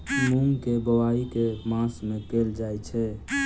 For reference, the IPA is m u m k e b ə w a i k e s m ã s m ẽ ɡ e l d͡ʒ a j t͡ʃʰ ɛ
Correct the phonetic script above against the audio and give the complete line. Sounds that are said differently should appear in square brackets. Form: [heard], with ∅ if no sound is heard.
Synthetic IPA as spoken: m u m k e b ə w a i k e [∅] m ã s m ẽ [k] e l d͡ʒ a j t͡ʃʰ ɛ